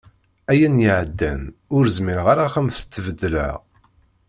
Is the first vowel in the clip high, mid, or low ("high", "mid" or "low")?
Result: low